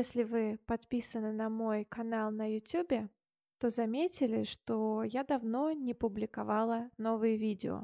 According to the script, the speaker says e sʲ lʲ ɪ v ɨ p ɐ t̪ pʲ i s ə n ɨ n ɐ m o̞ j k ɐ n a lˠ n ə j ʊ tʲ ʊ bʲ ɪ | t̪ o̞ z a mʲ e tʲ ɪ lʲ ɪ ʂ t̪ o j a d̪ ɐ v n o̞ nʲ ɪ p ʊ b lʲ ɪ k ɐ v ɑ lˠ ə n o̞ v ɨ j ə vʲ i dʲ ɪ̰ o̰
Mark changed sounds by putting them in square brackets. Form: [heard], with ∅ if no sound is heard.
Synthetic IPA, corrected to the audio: e sʲ lʲ ɪ v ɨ p ɐ t̪ pʲ i s ə n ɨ n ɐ m o̞ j k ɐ n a lˠ n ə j ʊ tʲ [u] bʲ ɪ | t̪ o̞ z [ɐ] mʲ e tʲ ɪ lʲ ɪ ʂ t̪ o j a d̪ ɐ v n o̞ nʲ ɪ p ʊ b lʲ ɪ k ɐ v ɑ lˠ ə n o̞ v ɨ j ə vʲ i dʲ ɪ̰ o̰